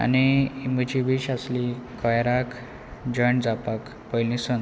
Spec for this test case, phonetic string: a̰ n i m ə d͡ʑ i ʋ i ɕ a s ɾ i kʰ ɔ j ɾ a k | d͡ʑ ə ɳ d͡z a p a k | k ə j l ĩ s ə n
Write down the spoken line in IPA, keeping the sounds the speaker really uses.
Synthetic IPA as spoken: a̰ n i m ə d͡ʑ i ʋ i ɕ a s l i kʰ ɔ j ɾ a k | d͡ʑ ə ɳ d͡z a p a k | p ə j l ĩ s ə n